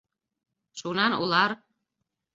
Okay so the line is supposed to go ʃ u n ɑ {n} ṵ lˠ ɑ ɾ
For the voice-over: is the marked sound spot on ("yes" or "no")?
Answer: yes